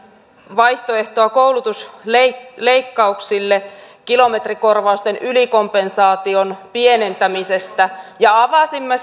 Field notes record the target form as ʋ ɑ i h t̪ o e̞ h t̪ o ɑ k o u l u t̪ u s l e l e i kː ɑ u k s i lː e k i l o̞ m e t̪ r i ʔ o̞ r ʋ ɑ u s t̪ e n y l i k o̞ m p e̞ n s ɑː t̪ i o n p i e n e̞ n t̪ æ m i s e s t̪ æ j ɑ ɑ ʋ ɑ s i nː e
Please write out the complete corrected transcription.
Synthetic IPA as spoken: ʋ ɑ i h t̪ o e̞ h t̪ o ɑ k o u l u t̪ u s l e l e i kː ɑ u k s i lː e k i l o̞ m e t̪ r i k o̞ r ʋ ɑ u s t̪ e n y l i k o̞ m p e̞ n s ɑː t̪ i o n p i e n e̞ n t̪ æ m i s e s t̪ æ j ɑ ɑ ʋ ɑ s i mː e